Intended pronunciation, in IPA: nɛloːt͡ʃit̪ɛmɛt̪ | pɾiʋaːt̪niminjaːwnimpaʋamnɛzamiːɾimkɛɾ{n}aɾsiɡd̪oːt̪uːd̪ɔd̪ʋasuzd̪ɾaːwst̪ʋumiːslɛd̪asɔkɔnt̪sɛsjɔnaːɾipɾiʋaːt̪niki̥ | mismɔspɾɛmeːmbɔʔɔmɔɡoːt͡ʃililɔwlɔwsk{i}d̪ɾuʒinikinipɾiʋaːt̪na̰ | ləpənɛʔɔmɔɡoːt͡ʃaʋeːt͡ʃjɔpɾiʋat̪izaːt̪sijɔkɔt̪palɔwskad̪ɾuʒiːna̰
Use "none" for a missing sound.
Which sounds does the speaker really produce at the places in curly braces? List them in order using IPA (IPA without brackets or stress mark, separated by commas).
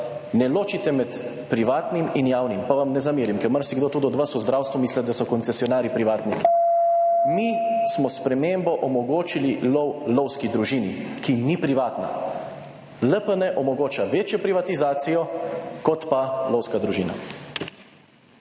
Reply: m, i